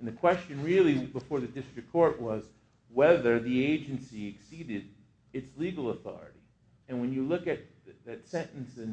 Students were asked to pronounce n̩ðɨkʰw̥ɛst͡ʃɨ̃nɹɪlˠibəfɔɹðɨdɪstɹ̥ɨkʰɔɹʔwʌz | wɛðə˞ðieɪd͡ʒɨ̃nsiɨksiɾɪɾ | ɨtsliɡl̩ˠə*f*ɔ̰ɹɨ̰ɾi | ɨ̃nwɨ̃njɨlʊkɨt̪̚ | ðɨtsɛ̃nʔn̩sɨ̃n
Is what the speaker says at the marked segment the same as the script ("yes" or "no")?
no